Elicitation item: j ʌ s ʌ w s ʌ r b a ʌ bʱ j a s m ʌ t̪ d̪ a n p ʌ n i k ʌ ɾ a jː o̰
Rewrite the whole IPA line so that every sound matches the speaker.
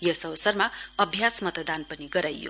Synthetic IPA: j ʌ s ʌ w s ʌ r m a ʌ bʱ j a s m ʌ t̪ d̪ a n p ʌ n i ɡ ʌ ɾ a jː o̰